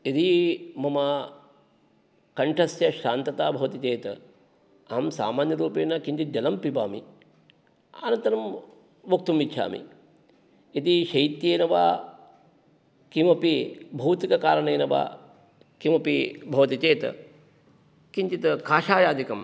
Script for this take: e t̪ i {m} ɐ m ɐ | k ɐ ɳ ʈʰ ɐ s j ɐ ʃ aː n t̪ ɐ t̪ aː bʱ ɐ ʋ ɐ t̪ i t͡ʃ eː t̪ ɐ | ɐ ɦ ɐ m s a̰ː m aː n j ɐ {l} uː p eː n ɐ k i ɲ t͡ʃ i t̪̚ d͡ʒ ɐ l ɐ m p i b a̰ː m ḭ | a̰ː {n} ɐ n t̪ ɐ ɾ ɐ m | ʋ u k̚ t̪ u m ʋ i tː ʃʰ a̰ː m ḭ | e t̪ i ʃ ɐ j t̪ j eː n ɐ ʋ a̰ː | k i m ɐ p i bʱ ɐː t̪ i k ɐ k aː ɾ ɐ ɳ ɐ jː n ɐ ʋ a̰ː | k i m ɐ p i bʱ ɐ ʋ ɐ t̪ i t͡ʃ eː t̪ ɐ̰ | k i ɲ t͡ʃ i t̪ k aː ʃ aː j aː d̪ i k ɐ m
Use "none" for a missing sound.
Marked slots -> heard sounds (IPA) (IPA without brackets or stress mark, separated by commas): m, ɾ, n